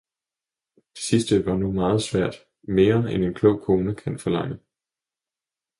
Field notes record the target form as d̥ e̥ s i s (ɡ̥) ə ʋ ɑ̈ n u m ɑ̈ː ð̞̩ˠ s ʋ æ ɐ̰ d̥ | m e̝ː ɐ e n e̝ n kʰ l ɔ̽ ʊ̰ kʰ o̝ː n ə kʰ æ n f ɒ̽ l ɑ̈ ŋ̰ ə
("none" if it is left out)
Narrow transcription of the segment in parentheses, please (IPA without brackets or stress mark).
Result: d̥